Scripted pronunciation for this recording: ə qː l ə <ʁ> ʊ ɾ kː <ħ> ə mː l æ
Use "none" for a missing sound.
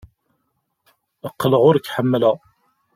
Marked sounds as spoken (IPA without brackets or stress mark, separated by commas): ʁ, ħ